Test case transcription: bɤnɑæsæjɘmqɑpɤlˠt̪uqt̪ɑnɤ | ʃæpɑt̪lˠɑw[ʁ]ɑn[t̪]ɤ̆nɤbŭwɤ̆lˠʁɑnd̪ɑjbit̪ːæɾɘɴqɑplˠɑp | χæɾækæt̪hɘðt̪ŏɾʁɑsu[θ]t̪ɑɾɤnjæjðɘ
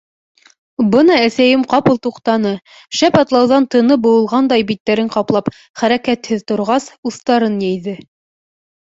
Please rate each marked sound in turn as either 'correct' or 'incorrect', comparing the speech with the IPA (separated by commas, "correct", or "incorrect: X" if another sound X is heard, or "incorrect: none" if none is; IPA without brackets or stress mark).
incorrect: ð, correct, correct